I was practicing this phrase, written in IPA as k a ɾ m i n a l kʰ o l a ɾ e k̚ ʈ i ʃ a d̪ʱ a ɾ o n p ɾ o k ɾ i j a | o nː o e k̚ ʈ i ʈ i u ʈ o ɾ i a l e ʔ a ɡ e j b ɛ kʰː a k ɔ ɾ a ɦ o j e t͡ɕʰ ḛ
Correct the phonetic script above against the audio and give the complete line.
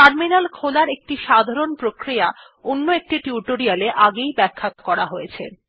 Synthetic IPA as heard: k a ɾ m i n a l kʰ o l a ɾ e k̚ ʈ i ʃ a d̪ʱ a ɾ o n p ɾ o k ɾ i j a | o nː o e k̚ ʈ i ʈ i u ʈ o ɾ i a l e ʔ a ɡ e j b ɛ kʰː a k ɔ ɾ a ɦ o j e t͡ɕʰ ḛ